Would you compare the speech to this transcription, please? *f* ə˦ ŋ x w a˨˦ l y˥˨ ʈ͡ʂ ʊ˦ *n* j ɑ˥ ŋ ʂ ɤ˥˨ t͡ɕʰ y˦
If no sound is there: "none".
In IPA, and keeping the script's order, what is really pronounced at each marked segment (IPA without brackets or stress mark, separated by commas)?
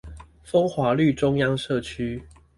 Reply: f, ŋ